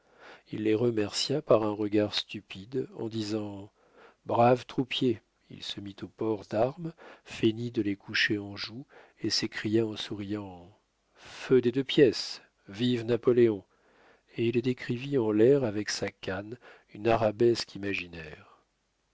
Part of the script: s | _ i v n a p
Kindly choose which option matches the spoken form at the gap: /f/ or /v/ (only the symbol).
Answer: v